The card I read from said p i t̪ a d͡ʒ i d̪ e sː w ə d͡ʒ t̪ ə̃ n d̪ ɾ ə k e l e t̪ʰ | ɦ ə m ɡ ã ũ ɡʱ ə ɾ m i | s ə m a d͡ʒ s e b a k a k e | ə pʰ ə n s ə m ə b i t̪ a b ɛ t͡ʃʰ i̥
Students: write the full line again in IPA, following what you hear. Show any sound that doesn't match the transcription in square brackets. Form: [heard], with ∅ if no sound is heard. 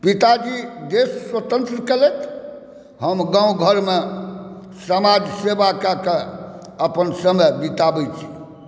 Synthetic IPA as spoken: p i t̪ a d͡ʒ i d̪ e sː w ə [∅] t̪ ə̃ n [t̪] ɾ ə k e l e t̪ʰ | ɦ ə m ɡ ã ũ ɡʱ ə ɾ m [e] | s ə m a d͡ʒ s e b a k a k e | ə [p] ə n s ə m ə b i t̪ a b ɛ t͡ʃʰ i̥